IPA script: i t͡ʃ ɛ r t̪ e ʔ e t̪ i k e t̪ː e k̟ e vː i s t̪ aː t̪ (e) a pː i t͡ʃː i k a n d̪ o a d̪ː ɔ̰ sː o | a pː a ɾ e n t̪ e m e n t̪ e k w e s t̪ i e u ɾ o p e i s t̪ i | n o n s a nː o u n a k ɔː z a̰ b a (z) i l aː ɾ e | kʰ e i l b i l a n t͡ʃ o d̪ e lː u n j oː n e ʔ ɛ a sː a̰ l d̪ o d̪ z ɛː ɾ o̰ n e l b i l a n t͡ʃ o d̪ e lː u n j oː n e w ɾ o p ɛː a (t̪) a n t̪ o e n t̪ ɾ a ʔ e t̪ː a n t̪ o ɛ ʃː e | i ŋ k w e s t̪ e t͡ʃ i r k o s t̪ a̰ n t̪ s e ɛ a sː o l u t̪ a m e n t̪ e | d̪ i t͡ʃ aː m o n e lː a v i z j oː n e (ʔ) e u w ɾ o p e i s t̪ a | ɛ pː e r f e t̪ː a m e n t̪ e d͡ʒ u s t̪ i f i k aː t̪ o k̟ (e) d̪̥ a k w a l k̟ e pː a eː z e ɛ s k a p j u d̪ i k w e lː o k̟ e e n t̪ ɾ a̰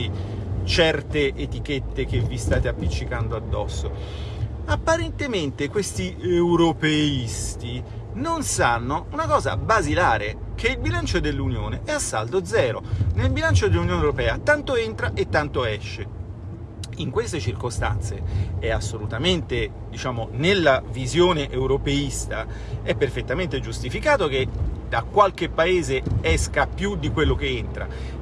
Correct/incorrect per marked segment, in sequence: correct, correct, correct, correct, correct

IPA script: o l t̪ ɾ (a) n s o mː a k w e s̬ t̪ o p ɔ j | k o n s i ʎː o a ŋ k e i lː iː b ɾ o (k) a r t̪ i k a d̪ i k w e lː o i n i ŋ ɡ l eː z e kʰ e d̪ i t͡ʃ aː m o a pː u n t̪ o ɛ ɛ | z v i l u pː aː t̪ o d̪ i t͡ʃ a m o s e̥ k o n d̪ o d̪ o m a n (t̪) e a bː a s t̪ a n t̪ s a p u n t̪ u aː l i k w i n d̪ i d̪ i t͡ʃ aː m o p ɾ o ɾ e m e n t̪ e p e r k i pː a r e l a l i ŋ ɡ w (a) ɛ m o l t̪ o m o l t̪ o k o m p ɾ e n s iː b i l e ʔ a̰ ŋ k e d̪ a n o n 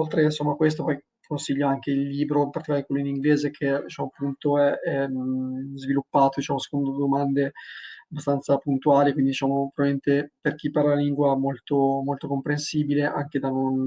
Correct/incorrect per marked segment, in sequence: incorrect: e, incorrect: p, incorrect: d̪, correct

